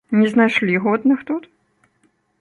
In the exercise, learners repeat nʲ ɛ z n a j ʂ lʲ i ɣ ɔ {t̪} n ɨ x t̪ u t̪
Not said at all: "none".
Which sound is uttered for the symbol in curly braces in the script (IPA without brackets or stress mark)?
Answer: d̪